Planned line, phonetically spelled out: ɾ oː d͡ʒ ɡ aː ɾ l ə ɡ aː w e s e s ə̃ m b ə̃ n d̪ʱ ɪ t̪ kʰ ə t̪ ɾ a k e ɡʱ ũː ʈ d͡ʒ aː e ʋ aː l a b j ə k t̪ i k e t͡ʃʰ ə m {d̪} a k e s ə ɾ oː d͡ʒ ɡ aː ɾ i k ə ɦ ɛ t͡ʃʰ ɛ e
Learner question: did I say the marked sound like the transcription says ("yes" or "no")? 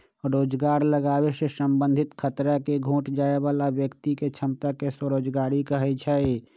no